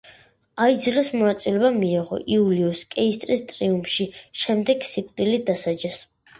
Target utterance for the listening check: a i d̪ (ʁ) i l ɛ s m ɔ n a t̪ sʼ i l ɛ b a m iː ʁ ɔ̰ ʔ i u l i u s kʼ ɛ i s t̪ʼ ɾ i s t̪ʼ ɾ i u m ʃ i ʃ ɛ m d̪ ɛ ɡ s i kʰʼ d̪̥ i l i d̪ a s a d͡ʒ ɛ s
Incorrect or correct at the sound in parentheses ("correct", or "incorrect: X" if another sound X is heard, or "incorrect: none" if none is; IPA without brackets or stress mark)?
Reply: incorrect: z